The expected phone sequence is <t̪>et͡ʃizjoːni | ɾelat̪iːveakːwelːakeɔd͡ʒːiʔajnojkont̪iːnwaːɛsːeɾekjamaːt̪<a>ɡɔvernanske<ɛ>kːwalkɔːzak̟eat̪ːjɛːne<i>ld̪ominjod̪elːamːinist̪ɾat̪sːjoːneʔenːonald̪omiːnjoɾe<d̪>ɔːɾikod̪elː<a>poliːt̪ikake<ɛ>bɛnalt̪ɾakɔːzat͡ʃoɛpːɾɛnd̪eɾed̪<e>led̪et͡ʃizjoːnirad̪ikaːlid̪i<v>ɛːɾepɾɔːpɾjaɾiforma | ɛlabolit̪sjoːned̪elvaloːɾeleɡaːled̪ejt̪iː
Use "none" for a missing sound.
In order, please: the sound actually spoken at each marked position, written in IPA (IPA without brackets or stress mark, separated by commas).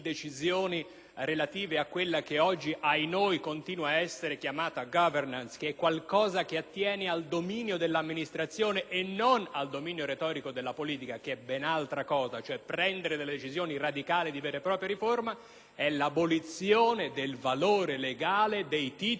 d̪, a, ɛ, a, t̪, a, ɛ, e, v